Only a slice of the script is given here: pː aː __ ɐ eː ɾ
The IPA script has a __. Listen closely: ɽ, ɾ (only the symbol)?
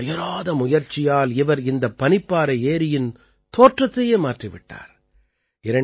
ɾ